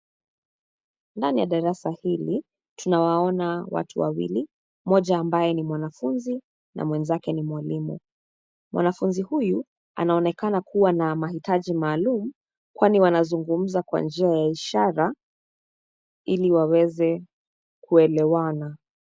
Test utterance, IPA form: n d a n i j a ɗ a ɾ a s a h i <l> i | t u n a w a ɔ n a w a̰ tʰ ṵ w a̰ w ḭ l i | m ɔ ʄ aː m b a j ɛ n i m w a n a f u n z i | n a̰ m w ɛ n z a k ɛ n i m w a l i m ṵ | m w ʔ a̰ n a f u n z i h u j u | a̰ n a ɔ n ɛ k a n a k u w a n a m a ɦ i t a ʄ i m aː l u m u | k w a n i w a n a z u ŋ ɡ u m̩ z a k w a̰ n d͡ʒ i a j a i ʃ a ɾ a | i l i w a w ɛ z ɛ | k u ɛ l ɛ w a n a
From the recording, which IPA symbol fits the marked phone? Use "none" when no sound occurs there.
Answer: l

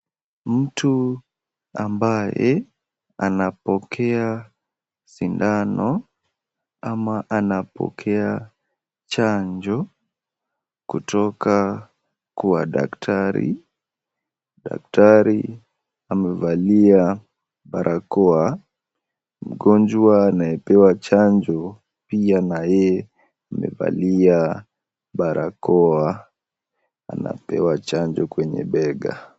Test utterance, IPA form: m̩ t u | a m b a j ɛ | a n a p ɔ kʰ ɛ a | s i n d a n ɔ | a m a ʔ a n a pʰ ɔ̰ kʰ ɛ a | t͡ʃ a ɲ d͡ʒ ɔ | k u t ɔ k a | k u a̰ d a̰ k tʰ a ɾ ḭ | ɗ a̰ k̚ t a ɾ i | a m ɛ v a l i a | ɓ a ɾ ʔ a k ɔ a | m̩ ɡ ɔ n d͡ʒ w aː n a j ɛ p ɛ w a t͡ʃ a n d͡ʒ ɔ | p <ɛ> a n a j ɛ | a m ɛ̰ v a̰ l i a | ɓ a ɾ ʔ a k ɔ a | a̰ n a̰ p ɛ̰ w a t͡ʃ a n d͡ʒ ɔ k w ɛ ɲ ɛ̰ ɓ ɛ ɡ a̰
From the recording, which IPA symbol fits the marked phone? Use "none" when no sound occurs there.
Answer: i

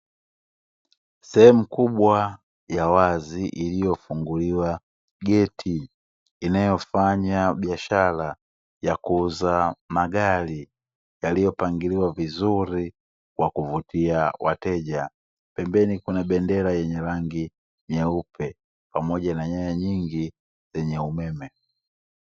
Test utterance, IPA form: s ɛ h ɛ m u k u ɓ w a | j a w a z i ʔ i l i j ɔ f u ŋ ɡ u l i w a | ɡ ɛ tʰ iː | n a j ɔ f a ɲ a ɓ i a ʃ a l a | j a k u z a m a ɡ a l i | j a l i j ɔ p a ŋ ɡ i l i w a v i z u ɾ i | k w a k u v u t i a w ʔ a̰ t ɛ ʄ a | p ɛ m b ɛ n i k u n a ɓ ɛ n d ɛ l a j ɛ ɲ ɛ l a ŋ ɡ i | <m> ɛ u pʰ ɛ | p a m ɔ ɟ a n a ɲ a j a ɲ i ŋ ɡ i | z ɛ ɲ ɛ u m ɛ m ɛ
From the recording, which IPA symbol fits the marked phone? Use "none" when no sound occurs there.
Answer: ɲ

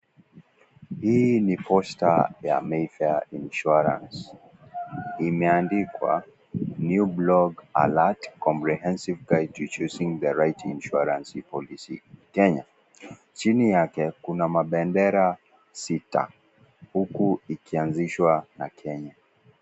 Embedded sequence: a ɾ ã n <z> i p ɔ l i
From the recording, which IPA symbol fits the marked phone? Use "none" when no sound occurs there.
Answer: s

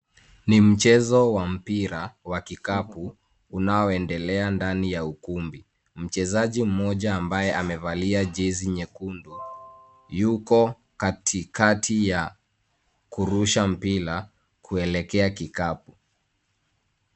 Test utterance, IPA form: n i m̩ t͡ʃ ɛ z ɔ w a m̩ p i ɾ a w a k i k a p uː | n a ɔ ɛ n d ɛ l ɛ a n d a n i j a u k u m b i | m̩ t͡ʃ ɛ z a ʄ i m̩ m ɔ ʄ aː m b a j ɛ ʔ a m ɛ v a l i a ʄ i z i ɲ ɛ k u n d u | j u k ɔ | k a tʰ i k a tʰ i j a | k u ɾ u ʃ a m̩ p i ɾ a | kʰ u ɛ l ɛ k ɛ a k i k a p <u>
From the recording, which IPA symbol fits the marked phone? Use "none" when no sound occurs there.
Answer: u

